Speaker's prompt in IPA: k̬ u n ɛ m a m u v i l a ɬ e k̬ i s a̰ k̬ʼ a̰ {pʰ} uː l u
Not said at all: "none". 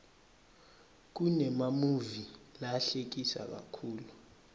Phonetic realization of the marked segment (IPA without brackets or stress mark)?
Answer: kʰ